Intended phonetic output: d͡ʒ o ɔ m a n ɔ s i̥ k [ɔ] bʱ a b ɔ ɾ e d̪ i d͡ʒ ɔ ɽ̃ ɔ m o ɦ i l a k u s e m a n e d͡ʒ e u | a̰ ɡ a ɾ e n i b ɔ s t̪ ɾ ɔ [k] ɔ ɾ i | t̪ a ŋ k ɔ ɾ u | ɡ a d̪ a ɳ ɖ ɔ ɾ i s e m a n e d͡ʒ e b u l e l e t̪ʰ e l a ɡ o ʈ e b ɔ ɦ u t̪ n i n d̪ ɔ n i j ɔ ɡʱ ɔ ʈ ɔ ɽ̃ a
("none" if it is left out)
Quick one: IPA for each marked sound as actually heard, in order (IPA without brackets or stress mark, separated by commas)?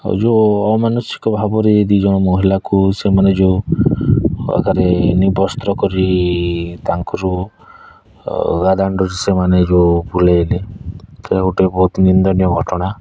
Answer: ɔ, k